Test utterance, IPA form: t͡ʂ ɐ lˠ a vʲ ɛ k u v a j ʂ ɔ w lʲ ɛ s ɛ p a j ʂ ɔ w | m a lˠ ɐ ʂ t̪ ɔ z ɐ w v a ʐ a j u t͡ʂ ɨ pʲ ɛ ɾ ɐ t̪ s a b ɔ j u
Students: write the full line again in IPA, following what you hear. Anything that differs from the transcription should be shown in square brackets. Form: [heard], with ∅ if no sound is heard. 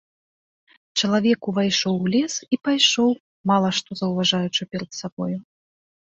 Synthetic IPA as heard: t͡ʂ ɐ lˠ a vʲ ɛ k u v a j ʂ ɔ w lʲ ɛ s [i] p a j ʂ ɔ w | m a lˠ ɐ ʂ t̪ ɔ z ɐ w v a ʐ a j u t͡ʂ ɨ pʲ ɛ ɾ ɐ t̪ s a b ɔ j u